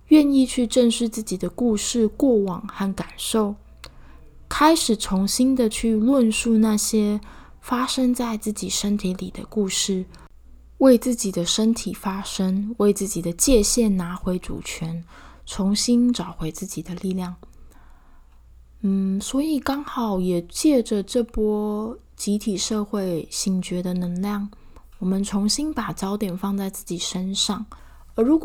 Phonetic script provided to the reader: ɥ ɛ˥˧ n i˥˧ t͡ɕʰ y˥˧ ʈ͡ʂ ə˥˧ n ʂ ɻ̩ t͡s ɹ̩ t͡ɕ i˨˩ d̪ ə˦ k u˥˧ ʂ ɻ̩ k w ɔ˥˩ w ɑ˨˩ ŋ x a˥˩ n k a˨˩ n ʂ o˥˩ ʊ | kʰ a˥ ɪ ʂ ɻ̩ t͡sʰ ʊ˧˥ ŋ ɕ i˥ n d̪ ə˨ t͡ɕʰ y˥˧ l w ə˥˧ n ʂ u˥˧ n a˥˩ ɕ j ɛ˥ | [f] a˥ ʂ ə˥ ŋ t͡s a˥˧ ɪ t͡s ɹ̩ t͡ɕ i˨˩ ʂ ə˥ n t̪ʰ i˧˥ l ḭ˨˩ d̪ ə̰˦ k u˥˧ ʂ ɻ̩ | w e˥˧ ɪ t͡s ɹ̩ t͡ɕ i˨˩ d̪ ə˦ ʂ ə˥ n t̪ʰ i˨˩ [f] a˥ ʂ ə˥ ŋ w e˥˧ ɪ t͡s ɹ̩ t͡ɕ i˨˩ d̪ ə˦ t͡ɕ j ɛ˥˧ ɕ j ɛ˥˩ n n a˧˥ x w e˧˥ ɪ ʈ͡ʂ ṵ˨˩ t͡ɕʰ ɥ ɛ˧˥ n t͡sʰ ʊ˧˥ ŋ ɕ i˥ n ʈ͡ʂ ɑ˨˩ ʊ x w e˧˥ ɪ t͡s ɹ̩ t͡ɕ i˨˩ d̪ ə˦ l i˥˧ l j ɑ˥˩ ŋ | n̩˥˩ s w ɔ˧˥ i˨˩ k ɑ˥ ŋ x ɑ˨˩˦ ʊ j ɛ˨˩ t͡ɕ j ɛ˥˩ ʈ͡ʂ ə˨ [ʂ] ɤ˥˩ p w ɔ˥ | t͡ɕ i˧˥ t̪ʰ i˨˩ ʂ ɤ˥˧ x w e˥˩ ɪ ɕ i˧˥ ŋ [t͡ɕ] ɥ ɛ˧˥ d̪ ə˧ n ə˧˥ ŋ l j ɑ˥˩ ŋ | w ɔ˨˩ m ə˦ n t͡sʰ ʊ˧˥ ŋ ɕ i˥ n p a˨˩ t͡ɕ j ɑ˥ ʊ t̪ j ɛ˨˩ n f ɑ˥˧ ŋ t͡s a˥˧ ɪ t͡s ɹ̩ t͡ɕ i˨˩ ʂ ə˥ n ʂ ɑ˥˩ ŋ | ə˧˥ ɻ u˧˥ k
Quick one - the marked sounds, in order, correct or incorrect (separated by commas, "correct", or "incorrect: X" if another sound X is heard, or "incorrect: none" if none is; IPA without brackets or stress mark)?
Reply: correct, correct, incorrect: ʈ͡ʂ, correct